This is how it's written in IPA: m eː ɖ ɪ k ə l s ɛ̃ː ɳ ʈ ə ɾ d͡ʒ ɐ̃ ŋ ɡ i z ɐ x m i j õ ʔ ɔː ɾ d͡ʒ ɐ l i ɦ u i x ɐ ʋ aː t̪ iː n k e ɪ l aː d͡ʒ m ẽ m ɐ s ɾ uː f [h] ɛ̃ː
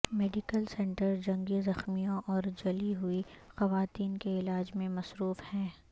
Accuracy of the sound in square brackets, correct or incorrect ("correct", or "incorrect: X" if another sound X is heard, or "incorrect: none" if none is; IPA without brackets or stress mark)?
correct